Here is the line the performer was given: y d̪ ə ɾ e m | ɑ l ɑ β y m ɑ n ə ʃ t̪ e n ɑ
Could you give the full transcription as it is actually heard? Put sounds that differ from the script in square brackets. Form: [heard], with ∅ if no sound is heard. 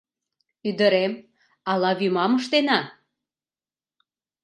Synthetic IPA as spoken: y d̪ ə ɾ e m | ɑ l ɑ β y m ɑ [m] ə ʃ t̪ e n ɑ